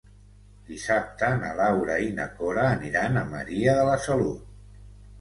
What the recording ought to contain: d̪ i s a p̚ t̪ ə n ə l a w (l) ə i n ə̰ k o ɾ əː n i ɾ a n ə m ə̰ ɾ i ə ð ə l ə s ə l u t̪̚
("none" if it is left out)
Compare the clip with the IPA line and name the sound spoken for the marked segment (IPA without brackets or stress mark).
ɾ